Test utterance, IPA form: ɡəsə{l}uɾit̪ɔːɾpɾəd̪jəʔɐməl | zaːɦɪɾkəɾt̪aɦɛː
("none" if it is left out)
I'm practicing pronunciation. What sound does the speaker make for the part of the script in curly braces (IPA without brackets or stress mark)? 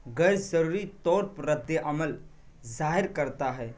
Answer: ɾ